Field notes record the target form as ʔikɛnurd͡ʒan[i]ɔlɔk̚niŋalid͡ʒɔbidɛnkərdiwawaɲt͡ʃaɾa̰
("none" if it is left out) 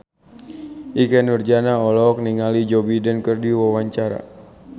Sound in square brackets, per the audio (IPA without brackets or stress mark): a